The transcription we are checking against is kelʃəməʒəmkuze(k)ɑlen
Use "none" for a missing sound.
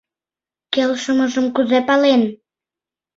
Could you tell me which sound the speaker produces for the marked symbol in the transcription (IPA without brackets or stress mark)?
p